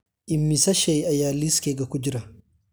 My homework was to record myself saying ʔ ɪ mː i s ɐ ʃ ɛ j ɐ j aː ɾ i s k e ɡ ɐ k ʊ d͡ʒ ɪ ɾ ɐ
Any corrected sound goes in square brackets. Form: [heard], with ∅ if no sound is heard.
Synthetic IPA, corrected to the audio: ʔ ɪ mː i s ɐ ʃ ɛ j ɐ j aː [l] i s k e ɡ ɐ k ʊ d͡ʒ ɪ ɾ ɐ